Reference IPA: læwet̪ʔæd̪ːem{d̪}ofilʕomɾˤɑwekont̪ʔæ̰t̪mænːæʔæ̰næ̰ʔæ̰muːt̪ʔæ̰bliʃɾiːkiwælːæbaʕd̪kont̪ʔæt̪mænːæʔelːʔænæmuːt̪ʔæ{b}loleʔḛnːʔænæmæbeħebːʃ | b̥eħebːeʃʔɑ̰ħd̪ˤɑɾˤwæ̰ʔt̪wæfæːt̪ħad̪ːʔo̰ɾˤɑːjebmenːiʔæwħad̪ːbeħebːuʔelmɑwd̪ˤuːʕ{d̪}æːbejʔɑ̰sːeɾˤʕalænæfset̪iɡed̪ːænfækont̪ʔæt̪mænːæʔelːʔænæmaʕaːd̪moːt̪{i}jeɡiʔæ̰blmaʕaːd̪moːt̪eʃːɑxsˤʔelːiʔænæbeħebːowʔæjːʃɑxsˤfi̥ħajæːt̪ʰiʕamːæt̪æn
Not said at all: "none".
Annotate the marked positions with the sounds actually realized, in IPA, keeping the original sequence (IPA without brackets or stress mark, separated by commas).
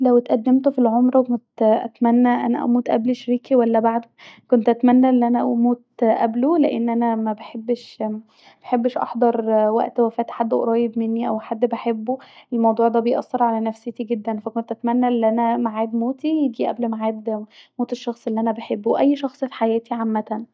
t̪, b, d̪, i